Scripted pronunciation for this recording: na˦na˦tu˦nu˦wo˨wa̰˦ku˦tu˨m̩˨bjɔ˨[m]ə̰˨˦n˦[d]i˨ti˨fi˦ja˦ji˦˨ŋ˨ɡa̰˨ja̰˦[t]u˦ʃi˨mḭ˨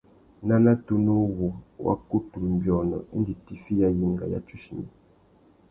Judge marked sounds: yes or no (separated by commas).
no, yes, no